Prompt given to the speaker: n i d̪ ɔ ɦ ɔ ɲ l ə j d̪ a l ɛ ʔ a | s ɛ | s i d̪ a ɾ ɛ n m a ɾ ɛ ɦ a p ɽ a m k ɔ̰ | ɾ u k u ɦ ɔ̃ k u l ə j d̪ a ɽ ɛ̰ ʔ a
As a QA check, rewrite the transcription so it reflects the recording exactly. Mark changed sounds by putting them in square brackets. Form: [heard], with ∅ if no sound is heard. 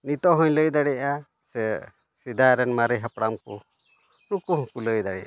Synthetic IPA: n i [t̪] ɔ ɦ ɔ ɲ l ə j d̪ a [ɽ] ɛ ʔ a | s ɛ | s i d̪ a ɾ ɛ n m a ɾ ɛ ɦ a p ɽ a m k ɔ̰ | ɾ u k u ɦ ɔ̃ k u l ə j d̪ a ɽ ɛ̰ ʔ a